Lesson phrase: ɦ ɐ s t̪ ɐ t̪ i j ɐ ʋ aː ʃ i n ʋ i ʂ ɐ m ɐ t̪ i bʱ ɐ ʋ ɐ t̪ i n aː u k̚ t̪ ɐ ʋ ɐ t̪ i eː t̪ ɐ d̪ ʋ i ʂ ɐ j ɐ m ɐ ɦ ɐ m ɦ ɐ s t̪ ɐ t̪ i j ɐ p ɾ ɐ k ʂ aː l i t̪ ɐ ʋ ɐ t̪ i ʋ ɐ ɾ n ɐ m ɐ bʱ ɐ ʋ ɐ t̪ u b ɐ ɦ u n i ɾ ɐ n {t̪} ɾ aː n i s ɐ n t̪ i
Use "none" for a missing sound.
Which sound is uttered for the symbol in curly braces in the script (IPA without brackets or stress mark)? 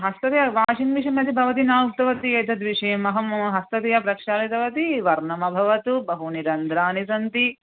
d̪